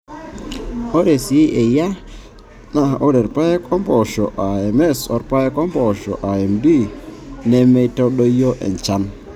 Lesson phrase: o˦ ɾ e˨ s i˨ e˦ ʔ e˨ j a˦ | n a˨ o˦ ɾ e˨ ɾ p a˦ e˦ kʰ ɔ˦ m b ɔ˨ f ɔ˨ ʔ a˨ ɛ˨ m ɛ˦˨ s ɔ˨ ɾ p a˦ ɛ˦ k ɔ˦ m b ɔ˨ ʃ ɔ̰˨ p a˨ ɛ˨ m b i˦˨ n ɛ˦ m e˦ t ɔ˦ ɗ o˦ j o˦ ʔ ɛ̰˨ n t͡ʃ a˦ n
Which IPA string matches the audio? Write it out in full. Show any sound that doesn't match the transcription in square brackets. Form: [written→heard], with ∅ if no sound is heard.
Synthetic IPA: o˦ ɾ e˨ s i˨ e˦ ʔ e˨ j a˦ | n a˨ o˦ ɾ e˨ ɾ p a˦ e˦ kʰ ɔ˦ m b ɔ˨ [f→ʃ] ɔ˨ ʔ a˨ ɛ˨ m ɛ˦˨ s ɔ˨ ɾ p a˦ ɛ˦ k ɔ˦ m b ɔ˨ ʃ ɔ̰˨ [p→ʔ] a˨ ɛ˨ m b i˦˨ n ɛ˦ m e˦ t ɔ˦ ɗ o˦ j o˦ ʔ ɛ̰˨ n t͡ʃ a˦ n